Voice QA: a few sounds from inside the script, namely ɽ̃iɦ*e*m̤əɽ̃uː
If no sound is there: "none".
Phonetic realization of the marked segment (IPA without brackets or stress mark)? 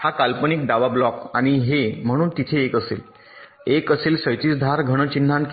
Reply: e